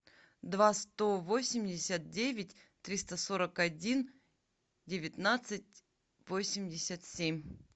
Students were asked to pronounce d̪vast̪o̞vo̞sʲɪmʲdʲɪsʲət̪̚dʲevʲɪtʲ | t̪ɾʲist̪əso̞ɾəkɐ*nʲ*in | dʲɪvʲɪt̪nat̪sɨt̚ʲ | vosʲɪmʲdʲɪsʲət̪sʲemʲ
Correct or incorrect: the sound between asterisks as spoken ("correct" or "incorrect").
incorrect